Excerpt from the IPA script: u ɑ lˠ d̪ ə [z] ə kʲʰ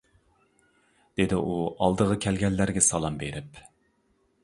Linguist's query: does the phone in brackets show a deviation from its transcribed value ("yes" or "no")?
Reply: yes